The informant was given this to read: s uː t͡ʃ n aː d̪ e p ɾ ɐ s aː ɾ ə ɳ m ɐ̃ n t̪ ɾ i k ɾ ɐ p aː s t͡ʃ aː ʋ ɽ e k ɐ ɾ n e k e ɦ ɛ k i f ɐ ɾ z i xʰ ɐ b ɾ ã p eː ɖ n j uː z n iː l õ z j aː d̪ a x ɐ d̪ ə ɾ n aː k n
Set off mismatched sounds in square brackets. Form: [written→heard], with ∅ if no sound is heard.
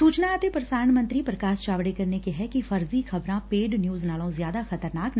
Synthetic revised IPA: s uː t͡ʃ n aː [d̪→t̪] e p ɾ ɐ s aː ɾ ə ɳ m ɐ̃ n t̪ ɾ i [k→p] ɾ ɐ [p→k] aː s t͡ʃ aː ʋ ɽ e k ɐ ɾ n e k e ɦ ɛ k i f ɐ ɾ z i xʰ ɐ b ɾ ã p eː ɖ n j uː z n [iː→aː] l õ z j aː d̪ a x ɐ [d̪→t̪] ə ɾ n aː k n

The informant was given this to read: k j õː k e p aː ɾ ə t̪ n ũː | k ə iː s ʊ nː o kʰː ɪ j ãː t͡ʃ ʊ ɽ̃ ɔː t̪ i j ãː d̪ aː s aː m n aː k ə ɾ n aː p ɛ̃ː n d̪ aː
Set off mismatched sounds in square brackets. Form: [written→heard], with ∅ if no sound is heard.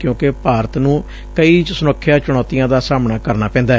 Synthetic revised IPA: k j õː k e p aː ɾ ə t̪ n ũː | k ə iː s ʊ [nː→n] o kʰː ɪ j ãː t͡ʃ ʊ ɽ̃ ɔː t̪ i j ãː d̪ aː s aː m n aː k ə ɾ n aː p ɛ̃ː n d̪ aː

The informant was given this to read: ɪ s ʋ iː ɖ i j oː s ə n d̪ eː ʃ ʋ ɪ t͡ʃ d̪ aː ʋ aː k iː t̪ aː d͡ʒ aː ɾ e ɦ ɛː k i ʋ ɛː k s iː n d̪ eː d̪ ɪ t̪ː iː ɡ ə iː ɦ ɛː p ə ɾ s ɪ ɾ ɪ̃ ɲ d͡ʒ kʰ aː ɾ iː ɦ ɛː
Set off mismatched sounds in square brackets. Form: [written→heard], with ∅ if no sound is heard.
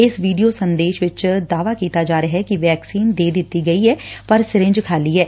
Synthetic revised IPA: ɪ s ʋ iː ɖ i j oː s ə n d̪ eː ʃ ʋ ɪ t͡ʃ d̪ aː ʋ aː k iː t̪ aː d͡ʒ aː ɾ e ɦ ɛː k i ʋ ɛː k s iː n d̪ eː d̪ ɪ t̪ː iː ɡ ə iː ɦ ɛː p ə ɾ s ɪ ɾ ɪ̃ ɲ d͡ʒ kʰ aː [ɾ→l] iː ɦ ɛː

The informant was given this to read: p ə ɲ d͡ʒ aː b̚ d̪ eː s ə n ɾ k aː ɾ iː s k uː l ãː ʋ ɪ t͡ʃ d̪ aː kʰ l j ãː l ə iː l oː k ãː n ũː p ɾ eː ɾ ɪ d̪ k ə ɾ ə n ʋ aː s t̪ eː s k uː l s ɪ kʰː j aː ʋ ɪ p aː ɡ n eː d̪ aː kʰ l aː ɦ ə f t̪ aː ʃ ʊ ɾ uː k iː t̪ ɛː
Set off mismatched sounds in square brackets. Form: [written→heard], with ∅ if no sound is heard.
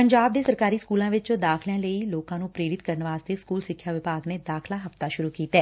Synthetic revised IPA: p ə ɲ d͡ʒ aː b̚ d̪ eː s ə [n→∅] ɾ k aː ɾ iː s k uː l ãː ʋ ɪ t͡ʃ d̪ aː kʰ l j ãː l ə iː l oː k ãː n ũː p ɾ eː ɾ ɪ [d̪→t̪] k ə ɾ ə n ʋ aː s t̪ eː s k uː l s ɪ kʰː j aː ʋ ɪ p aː ɡ n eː d̪ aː kʰ l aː ɦ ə f t̪ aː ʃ ʊ ɾ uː k iː t̪ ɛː

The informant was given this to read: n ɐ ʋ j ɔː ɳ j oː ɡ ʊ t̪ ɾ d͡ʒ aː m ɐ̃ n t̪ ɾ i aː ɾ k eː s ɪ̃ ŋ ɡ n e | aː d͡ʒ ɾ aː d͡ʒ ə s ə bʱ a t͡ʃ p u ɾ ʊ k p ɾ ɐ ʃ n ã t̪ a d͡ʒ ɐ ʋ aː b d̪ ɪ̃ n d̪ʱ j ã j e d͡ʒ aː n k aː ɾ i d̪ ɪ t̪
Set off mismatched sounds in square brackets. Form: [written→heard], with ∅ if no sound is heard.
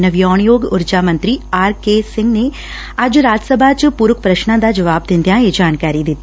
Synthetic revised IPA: n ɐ ʋ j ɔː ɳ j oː ɡ ʊ [t̪→∅] ɾ d͡ʒ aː m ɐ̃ n t̪ ɾ i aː ɾ k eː s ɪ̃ ŋ ɡ n e | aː d͡ʒ ɾ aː d͡ʒ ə s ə bʱ a t͡ʃ p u ɾ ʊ k p ɾ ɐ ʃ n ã [t̪→d̪] a d͡ʒ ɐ ʋ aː b d̪ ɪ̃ n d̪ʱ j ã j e d͡ʒ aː n k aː ɾ i d̪ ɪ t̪

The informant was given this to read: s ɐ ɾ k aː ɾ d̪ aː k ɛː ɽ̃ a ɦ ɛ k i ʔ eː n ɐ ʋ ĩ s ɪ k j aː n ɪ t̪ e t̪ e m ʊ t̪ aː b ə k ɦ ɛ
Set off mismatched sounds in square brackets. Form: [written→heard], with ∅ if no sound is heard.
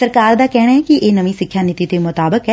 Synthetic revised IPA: s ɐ ɾ k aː ɾ d̪ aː k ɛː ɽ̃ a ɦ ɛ k i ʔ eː n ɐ ʋ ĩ s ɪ [k→kʰ] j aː n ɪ t̪ [e→i] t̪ e m ʊ t̪ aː b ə k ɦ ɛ

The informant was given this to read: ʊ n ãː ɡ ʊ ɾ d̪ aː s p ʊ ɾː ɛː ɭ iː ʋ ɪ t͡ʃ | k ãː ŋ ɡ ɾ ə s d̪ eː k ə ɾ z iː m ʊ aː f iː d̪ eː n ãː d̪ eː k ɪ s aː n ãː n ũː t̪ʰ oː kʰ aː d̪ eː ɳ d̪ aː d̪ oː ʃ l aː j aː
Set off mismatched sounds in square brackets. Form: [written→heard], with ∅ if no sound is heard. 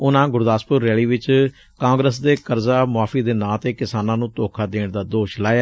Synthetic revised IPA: ʊ n ãː ɡ ʊ ɾ d̪ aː s p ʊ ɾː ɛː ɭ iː ʋ ɪ t͡ʃ | k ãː ŋ ɡ ɾ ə s d̪ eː k ə ɾ z [iː→aː] m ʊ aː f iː d̪ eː n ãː [d̪→t̪] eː k ɪ s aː n ãː n ũː [t̪ʰ→t̪] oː kʰ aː d̪ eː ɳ d̪ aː d̪ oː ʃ l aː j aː

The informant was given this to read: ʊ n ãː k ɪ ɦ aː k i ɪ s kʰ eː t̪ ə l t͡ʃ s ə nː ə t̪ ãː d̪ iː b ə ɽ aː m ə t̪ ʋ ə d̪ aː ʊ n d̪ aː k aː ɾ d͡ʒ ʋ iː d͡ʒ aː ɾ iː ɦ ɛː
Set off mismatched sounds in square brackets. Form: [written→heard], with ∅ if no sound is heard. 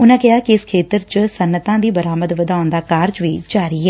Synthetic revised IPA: ʊ n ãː k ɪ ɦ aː k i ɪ s kʰ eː t̪ ə [l→ɾ] t͡ʃ s ə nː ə t̪ ãː d̪ iː b ə [ɽ→ɾ] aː m ə [t̪→d̪] ʋ ə d̪ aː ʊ n d̪ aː k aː ɾ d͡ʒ ʋ iː d͡ʒ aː ɾ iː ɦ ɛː

